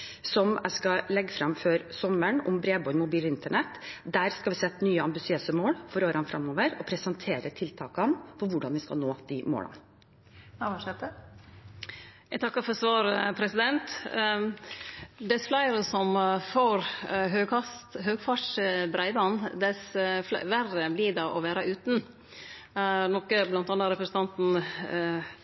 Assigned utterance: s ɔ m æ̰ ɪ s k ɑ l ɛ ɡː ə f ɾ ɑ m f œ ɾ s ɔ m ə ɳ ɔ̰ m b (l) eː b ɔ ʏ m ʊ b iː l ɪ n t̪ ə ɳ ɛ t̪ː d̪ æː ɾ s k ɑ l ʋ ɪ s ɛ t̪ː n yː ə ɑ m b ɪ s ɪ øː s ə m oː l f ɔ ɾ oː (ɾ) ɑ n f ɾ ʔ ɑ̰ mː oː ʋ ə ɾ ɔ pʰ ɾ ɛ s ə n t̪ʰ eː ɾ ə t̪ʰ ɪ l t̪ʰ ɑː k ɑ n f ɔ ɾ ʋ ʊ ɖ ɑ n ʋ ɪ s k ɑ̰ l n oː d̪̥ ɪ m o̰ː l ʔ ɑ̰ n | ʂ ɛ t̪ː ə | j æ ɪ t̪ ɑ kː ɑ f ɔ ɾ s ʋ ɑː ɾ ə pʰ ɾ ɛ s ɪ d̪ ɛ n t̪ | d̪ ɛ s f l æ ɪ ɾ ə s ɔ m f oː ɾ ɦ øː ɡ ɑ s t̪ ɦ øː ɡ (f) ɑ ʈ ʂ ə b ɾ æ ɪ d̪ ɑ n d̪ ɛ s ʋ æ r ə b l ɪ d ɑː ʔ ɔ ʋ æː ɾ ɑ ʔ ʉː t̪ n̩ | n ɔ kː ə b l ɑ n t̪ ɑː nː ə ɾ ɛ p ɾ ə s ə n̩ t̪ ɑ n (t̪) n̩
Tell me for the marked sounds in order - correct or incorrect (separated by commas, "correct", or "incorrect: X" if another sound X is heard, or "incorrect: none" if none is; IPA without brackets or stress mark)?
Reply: incorrect: ɾ, correct, correct, correct